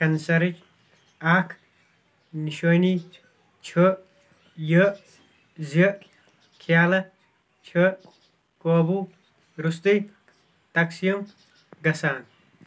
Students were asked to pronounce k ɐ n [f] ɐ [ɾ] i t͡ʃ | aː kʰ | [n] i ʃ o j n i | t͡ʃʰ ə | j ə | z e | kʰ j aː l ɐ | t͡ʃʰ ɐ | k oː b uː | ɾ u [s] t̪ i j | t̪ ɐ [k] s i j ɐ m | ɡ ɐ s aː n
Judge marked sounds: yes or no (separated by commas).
no, yes, yes, yes, yes